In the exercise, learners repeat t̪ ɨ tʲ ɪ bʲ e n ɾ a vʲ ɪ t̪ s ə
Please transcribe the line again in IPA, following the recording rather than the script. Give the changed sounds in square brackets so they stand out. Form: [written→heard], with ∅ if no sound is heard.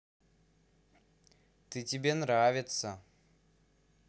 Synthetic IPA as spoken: t̪ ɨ tʲ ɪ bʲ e n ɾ a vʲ ɪ t̪ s ə

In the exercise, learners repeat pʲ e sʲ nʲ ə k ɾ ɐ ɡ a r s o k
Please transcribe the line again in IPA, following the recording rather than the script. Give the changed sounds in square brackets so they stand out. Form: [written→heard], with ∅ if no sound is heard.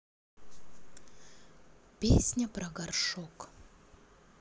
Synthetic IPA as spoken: pʲ e sʲ nʲ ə [k→p] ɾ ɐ ɡ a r [s→ʂ] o k

